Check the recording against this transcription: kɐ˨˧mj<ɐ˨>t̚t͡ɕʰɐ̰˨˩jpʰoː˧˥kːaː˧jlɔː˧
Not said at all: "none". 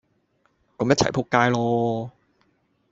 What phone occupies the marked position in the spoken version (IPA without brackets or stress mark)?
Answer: ɐ˥